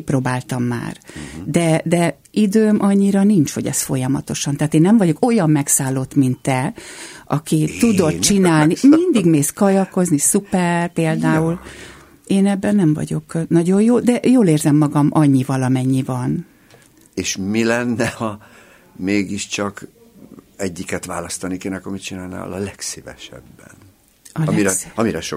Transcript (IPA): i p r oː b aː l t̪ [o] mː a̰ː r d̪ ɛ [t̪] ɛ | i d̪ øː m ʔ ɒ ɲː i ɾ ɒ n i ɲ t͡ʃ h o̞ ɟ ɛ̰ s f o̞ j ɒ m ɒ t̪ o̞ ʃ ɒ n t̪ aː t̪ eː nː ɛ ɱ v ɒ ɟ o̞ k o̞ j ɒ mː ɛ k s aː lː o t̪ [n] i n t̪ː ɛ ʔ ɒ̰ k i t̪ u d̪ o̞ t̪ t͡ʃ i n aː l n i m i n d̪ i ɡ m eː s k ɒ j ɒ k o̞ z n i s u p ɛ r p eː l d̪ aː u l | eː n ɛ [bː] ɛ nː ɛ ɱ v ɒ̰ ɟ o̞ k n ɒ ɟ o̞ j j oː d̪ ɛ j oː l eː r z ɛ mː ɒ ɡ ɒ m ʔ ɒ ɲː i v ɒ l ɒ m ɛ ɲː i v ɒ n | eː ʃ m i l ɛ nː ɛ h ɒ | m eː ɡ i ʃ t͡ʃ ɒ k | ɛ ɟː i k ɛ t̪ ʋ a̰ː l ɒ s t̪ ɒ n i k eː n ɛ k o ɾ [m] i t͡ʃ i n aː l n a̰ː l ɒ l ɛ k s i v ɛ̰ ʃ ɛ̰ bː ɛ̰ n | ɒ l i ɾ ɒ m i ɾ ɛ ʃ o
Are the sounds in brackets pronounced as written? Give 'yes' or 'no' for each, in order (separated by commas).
no, no, no, yes, yes